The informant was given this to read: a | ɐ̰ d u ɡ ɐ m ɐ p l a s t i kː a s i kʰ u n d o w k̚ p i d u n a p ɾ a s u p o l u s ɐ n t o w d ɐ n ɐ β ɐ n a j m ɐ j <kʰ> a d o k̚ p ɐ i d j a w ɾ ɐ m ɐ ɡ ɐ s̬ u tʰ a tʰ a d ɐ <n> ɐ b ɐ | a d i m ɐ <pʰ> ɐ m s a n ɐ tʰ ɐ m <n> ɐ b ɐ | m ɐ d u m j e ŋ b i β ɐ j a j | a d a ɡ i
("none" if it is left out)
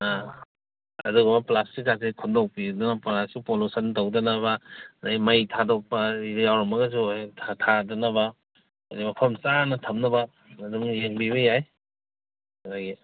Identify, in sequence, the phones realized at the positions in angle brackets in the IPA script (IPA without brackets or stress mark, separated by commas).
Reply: tʰ, n, pʰ, n